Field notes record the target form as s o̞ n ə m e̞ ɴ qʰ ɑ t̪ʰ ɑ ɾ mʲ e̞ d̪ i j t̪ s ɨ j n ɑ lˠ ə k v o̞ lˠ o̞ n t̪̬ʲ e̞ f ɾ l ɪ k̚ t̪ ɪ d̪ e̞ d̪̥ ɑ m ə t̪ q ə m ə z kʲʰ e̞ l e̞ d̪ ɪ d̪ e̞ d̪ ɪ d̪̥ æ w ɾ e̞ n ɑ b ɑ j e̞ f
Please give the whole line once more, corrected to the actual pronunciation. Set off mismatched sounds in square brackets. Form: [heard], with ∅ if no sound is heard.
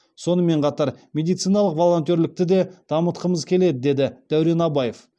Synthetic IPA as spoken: s o̞ n ə m e̞ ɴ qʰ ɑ [t̪] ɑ ɾ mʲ e̞ d̪ i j t̪ s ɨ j n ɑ lˠ ə [q] v o̞ lˠ o̞ n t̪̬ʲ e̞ [∅] ɾ l ɪ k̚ t̪ ɪ d̪ e̞ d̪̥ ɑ m ə t̪ q ə m ə z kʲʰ e̞ l e̞ d̪ ɪ d̪ e̞ d̪ ɪ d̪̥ æ w ɾ e̞ n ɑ b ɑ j e̞ f